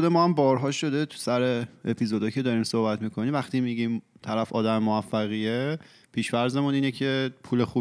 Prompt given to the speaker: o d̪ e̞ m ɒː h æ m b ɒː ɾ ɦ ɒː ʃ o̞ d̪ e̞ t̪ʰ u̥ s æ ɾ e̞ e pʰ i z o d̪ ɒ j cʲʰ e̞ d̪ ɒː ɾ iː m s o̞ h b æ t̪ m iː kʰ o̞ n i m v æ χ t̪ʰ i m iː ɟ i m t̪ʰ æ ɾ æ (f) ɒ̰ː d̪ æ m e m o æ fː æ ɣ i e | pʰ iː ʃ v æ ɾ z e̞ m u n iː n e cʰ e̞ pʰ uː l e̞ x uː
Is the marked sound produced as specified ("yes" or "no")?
yes